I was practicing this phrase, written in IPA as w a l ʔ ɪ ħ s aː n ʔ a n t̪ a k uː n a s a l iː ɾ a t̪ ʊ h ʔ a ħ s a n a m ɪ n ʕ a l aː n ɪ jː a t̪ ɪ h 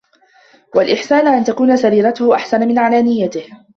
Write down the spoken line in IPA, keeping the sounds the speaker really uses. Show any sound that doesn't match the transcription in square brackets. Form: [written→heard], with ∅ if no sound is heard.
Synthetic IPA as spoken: w a l ʔ ɪ ħ s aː n ʔ a n t̪ a k uː n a s a [l→ɾ] iː ɾ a t̪ ʊ h ʔ a ħ s a n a m ɪ n ʕ a l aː n ɪ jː a t̪ ɪ h